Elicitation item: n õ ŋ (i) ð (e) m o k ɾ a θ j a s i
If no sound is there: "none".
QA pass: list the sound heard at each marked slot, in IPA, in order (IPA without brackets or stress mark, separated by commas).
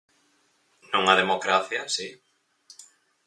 a, e